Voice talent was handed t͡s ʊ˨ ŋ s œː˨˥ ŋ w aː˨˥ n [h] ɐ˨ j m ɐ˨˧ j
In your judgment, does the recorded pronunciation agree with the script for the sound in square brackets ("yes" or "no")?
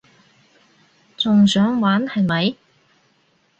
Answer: yes